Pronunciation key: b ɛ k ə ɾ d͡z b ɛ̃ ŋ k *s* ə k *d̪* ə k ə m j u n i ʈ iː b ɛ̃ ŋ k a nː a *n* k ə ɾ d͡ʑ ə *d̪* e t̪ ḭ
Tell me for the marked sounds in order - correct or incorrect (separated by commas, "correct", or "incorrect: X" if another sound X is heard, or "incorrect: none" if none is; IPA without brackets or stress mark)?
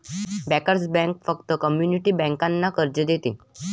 incorrect: f, incorrect: t̪, incorrect: none, correct